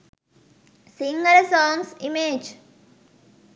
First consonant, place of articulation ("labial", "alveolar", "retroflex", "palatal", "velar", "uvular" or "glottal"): alveolar